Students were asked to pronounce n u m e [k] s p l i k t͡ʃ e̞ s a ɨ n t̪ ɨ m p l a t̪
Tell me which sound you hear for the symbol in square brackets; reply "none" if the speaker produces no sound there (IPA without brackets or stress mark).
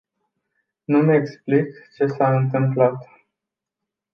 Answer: k